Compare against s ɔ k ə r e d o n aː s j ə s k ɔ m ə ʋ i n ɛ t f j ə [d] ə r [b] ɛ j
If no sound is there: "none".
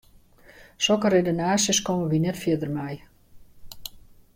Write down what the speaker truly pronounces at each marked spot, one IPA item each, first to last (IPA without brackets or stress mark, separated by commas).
d, m